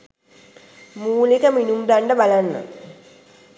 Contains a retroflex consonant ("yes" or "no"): yes